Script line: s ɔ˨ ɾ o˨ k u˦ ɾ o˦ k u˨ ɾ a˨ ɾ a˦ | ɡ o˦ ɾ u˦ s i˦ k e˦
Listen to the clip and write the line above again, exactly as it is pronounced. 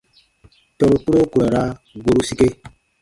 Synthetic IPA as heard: t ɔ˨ ɾ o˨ k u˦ ɾ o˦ k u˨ ɾ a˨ ɾ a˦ | ɡ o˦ ɾ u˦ s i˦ k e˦